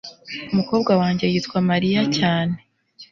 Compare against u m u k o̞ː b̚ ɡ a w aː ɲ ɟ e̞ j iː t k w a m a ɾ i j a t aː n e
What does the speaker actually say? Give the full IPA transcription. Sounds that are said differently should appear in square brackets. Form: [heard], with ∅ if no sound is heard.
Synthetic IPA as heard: u m u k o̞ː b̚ ɡ a w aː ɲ ɟ e̞ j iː t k w a m a ɾ i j a [c] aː n e